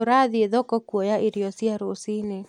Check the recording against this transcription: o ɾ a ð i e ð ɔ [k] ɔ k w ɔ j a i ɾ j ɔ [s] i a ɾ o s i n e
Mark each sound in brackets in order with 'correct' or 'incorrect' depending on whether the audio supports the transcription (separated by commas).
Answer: correct, correct